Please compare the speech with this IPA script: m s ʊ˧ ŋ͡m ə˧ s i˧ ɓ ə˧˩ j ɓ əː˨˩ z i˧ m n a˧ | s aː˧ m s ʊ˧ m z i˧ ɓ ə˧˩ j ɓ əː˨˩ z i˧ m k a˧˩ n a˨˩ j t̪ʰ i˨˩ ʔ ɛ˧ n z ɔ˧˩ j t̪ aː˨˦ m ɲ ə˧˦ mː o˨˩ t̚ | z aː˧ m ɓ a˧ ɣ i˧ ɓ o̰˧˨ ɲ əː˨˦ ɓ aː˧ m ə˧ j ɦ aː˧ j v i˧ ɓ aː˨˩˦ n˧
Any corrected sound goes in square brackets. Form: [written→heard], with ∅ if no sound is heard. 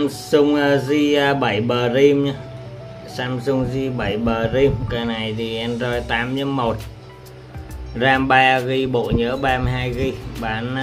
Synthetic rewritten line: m s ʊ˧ ŋ͡m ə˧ [s→z] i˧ ɓ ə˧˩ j ɓ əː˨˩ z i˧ m [n→ɲ] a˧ | s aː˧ m s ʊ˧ [m→ŋ͡m] z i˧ ɓ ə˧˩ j ɓ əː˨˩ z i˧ m k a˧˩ n a˨˩ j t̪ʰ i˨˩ ʔ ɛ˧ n z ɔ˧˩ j t̪ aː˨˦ m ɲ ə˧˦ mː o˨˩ t̚ | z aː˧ m ɓ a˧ ɣ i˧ ɓ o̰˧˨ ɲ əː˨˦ ɓ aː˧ m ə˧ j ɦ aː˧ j [v→ɣ] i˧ ɓ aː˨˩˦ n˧